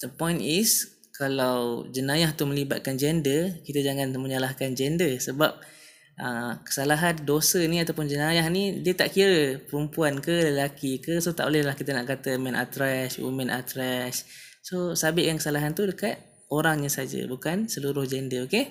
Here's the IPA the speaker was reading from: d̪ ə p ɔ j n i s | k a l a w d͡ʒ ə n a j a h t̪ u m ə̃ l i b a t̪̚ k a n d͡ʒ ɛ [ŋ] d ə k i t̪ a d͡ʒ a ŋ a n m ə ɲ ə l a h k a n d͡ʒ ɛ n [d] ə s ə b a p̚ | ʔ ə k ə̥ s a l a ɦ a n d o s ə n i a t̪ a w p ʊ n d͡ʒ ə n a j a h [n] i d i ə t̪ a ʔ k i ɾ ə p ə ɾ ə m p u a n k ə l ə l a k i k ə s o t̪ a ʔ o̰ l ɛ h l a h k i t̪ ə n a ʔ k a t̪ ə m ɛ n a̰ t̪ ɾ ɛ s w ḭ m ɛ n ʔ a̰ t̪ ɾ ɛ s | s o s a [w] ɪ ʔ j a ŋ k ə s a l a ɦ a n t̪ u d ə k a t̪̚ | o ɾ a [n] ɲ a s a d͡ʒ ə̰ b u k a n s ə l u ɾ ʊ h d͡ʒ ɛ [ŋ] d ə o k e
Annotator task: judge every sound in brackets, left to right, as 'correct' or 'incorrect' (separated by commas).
incorrect, correct, correct, incorrect, incorrect, incorrect